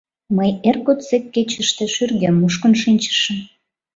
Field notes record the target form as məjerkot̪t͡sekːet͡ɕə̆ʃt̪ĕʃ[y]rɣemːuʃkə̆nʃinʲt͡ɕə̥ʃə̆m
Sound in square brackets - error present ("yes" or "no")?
no